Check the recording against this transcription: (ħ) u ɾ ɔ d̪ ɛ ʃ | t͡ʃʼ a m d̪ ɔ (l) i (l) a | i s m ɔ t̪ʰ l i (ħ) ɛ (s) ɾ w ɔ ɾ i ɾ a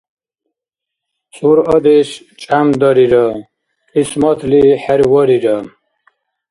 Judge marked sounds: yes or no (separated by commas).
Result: no, no, no, yes, no